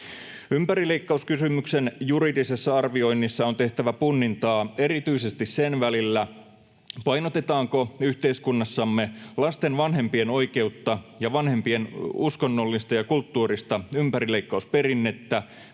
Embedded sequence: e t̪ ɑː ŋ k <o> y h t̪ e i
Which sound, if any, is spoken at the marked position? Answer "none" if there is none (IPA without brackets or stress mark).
o